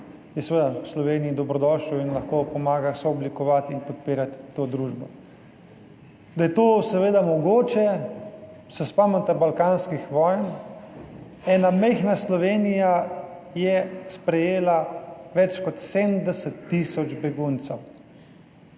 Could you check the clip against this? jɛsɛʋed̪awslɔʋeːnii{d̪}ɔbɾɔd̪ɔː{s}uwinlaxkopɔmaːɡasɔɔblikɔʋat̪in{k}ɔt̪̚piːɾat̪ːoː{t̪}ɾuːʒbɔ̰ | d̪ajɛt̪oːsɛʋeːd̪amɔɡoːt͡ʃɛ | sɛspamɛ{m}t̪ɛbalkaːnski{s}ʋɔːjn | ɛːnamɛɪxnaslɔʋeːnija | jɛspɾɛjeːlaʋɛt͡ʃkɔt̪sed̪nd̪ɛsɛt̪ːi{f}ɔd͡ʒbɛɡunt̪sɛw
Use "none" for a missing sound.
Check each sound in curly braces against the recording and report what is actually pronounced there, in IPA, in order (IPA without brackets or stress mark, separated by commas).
d̪, ʃ, p, d̪, n, x, s